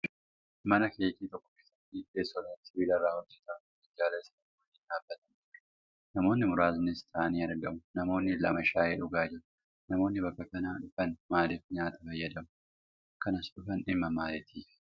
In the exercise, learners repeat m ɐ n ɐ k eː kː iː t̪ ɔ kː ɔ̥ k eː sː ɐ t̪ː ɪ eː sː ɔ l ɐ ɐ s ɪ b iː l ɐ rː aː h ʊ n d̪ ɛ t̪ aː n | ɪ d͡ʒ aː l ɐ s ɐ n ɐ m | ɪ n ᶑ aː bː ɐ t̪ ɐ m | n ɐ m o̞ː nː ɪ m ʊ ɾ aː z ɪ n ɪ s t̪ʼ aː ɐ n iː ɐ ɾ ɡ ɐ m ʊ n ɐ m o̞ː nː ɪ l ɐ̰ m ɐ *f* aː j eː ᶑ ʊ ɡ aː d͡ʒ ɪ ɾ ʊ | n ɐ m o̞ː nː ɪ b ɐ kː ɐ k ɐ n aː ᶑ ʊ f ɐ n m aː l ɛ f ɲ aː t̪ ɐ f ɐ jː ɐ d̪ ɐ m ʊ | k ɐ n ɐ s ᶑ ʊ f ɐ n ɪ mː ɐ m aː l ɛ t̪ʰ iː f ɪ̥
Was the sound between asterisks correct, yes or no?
no